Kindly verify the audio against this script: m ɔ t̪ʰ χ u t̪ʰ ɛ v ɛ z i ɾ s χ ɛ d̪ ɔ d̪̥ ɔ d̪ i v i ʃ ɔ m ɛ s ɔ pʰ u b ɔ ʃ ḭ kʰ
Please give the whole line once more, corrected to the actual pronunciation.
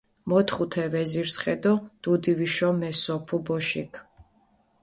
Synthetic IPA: m ɔ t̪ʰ χ u t̪ʰ ɛ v ɛ z i ɾ s χ ɛ d̪ ɔ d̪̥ u d̪ i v i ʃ ɔ m ɛ s ɔ pʰ u b ɔ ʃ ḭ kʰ